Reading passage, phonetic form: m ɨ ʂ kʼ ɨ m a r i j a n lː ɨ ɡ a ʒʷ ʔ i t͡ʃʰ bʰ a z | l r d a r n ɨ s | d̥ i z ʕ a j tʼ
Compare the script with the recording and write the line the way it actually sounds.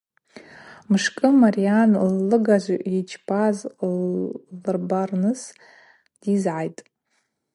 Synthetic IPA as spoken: m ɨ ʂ kʼ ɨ m a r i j a n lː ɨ ɡ a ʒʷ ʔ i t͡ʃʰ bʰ a z | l r b a r n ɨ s | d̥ i z ʕ a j tʼ